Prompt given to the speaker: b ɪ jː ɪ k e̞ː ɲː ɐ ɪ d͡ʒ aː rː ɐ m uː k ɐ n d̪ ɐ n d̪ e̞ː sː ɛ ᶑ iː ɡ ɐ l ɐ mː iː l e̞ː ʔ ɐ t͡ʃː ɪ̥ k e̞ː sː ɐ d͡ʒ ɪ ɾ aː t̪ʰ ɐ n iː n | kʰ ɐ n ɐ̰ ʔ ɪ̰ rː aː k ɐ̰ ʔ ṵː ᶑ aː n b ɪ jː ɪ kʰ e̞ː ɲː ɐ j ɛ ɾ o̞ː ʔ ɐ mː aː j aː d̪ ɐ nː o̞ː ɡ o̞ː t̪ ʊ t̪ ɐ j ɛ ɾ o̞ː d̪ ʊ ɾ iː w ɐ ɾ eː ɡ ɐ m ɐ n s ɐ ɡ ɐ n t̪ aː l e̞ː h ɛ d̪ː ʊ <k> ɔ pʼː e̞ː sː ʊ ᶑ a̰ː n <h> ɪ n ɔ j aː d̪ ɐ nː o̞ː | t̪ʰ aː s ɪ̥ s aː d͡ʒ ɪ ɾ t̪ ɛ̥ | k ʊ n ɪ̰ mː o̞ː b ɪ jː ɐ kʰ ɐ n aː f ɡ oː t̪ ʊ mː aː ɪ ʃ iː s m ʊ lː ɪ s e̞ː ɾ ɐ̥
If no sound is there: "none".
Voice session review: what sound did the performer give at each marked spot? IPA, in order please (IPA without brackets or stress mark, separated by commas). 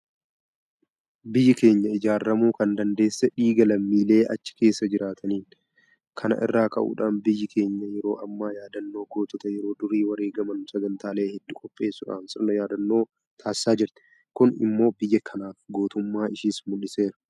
kʼ, s